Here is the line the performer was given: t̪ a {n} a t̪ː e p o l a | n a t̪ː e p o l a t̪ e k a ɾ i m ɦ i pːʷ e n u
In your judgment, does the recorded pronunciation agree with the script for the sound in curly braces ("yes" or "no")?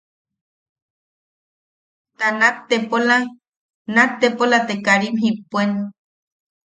yes